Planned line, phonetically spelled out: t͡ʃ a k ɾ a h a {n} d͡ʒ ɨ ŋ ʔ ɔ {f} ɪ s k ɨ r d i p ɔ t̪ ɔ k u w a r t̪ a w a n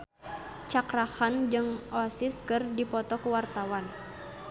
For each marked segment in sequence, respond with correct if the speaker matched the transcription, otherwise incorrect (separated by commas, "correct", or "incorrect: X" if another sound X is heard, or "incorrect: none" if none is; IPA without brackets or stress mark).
correct, incorrect: s